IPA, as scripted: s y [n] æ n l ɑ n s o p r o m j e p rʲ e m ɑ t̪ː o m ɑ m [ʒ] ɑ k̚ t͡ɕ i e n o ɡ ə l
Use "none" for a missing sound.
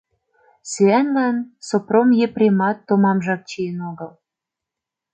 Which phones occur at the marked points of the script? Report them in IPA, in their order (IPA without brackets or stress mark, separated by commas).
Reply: none, ʒ